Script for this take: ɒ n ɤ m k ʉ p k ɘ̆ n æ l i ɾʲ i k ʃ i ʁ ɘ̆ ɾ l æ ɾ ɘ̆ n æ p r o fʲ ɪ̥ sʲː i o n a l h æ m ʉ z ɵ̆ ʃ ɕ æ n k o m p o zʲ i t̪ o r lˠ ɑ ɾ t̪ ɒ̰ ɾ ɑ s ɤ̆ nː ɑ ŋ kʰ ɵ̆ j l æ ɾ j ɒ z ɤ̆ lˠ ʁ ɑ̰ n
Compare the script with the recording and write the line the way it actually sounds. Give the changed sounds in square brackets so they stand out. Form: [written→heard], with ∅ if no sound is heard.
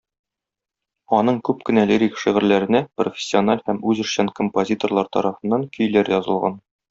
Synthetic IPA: ɒ n ɤ [m→ɴ] k ʉ p k ɘ̆ n æ l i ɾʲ i k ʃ i ʁ ɘ̆ ɾ l æ ɾ ɘ̆ n æ p r o fʲ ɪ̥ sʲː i o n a l h æ m ʉ z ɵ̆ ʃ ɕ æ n k o m p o zʲ i t̪ o r lˠ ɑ ɾ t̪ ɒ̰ ɾ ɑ [s→f] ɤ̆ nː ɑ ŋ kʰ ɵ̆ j l æ ɾ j ɒ z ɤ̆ lˠ ʁ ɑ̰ n